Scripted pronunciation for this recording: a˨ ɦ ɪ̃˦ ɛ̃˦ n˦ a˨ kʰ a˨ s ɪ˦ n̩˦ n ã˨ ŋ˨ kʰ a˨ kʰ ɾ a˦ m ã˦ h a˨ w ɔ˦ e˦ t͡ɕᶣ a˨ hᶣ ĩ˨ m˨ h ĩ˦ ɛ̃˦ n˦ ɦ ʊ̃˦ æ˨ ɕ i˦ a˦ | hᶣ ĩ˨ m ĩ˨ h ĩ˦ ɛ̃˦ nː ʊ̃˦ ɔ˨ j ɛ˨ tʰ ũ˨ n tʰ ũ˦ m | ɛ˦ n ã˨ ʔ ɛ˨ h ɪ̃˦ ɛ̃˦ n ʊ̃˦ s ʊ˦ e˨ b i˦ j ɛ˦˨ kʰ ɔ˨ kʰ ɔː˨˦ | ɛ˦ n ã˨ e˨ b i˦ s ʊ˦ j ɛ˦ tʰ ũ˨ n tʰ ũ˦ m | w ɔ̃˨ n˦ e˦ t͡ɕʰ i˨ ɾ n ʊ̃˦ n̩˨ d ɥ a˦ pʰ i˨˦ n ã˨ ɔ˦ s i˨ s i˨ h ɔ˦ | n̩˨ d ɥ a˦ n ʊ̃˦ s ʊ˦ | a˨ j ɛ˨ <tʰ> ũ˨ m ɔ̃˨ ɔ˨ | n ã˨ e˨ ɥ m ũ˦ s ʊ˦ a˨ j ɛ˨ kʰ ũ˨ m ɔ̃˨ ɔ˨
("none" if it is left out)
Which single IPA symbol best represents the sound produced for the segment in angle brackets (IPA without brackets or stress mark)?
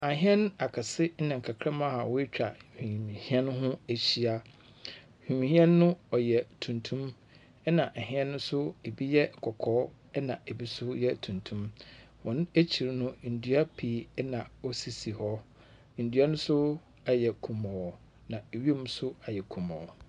kʰ